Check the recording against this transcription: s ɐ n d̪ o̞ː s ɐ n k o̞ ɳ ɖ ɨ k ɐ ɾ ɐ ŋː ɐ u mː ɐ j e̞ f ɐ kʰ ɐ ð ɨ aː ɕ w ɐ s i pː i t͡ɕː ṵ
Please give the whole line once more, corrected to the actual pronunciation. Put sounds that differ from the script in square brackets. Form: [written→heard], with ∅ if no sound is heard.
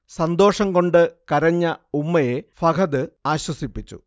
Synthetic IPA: s ɐ n d̪ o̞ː [s→ʂ] ɐ [n→ŋ] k o̞ ɳ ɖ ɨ k ɐ ɾ ɐ [ŋː→ɲː] ɐ u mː ɐ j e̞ f ɐ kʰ ɐ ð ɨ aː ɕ w ɐ s i pː i t͡ɕː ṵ